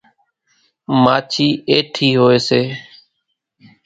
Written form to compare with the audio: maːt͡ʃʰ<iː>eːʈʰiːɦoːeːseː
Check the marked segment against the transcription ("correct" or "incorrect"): correct